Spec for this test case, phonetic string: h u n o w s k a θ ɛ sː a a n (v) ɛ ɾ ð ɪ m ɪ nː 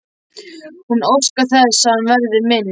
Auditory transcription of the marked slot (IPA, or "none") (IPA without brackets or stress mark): v